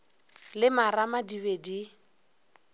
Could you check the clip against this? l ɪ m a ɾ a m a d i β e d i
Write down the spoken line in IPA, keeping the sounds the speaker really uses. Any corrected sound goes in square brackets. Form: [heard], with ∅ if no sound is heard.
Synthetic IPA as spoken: l ɪ m a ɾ a m a d i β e d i